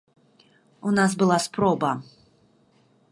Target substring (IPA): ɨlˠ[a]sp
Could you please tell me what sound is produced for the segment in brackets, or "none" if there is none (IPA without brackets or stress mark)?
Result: a